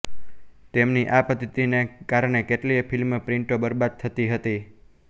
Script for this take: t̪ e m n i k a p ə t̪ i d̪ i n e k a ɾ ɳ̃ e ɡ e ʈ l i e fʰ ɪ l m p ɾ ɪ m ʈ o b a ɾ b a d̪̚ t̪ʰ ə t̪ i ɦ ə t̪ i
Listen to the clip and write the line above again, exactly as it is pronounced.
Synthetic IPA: t̪ e m n i ʔ a p ə t̪ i t̪ i n e k a ɾ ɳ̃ e k e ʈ l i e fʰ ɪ l m p ɾ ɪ ɳ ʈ o b ə ɾ b a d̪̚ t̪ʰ ə t̪ i ɦ ə t̪ i

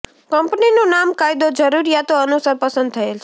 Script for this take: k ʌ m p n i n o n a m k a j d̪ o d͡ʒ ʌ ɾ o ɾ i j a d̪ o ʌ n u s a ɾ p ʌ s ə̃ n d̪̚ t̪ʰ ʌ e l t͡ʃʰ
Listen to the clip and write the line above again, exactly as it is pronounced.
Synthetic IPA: k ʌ m p n i n o n a m k a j d̪ o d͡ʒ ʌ ɾ u ɾ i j a t̪ o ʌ n u s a ɾ p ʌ s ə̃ n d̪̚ t̪ʰ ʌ e l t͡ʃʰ

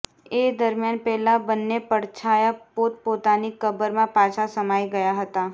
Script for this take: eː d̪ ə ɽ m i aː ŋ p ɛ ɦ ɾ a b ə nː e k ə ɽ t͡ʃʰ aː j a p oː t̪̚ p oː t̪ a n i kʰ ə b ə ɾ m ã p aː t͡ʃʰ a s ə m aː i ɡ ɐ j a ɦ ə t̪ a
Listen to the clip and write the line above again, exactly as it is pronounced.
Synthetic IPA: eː d̪ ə ɾ m j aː n p ɛ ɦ l a b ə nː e p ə ɽ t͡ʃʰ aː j a p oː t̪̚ p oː t̪ a n i k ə b ə ɾ m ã p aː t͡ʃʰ a s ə m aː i ɡ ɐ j a ɦ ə t̪ a

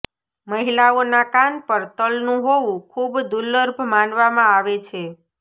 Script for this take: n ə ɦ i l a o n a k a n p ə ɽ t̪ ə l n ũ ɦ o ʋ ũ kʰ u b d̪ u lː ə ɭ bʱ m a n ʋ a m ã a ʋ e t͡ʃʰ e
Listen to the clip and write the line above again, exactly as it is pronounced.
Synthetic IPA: m ə ɦ i l a o n a k a n p ə ɾ t̪ ə l n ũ ɦ o ʋ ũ kʰ u b d̪ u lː ə ɾ bʱ m a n ʋ a m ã a ʋ e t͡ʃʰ e

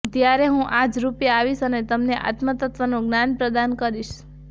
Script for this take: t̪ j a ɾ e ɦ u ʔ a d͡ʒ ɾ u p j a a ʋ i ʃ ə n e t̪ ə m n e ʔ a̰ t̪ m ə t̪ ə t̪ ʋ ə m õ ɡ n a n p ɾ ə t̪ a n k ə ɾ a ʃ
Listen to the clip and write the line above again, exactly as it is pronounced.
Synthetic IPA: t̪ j a ɾ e ɦ ũ ʔ a d͡ʒ ɾ u p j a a ʋ i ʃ ə n e t̪ ə m n e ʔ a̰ t̪ m ə t̪ ə t̪ ʋ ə n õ ɡ n a n p ɾ ə d̪ a n k ə ɾ i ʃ

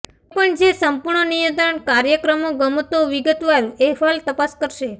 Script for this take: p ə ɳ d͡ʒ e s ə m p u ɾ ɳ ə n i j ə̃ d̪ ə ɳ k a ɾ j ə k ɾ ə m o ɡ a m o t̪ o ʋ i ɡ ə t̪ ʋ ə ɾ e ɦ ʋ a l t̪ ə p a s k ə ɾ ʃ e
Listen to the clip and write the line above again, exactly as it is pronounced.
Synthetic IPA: p ə ɳ d͡ʒ e s ə m p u ɾ ɳ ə n i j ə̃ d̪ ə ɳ k a ɾ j ə k ɾ ə m o ɡ ə m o t̪ o ʋ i ɡ ə t̪ ʋ a ɾ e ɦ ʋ a l t̪ ə p a s k ə ɾ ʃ e

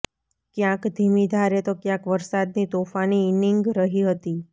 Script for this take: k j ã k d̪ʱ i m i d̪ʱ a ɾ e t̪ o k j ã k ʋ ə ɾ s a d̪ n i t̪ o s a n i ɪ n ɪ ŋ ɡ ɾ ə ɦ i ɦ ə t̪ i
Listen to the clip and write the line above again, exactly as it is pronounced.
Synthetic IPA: k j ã k d̪ʱ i m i d̪ʱ a ɾ e t̪ o k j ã k ʋ ə ɾ s a d̪ n i t̪ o f a n i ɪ n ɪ ŋ ɡ ɾ ə ɦ i ɦ ə t̪ i

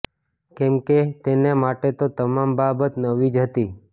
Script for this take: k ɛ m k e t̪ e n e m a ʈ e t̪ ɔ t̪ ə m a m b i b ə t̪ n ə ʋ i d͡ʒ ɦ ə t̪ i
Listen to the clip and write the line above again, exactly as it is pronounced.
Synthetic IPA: k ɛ m k e t̪ e n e m a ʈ e t̪ o t̪ ə m a m b a b ə t̪ n ə ʋ i d͡ʒ ɦ ə t̪ i

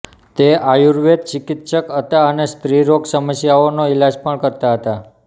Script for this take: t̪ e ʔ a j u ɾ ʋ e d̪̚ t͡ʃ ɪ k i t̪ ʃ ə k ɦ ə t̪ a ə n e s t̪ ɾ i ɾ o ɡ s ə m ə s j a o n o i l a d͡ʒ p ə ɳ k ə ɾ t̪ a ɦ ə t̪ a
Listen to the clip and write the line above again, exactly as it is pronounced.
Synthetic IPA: t̪ e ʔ a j u ɾ ʋ e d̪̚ t͡ʃ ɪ k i t̪ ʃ ə k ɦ ə t̪ a ə n e s t̪ ɾ i ɾ o ɡ s ə m ə s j a o n o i l a d͡ʒ p ə ɳ k ə ɾ t̪ a ɦ ə t̪ a

